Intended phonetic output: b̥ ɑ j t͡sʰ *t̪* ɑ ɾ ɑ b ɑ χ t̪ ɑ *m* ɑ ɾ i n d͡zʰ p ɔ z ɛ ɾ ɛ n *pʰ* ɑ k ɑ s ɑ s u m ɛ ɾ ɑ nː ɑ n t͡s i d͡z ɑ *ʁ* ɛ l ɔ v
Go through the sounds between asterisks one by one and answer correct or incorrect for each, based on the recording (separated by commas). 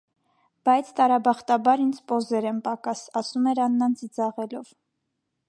correct, incorrect, incorrect, correct